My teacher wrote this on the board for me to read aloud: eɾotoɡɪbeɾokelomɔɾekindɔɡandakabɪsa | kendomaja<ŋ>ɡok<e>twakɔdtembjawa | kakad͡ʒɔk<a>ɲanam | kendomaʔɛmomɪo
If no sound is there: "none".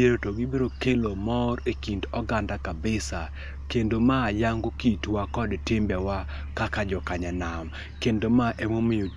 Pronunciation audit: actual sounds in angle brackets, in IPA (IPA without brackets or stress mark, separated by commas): ŋ, i, a